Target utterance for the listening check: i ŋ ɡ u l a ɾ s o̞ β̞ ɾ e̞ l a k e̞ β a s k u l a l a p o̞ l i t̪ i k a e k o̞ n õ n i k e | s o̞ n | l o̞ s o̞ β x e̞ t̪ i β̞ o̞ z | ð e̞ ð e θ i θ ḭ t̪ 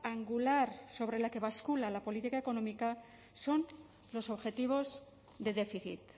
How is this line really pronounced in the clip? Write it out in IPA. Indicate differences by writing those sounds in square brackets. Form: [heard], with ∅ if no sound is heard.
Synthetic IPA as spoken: [a] ŋ ɡ u l a ɾ s o̞ β̞ ɾ e̞ l a k e̞ β a s k u l a l a p o̞ l i t̪ i k a e k o̞ n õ [m] i k [a] | s o̞ n | l o̞ s o̞ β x e̞ t̪ i β̞ o̞ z | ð e̞ ð e [f] i θ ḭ t̪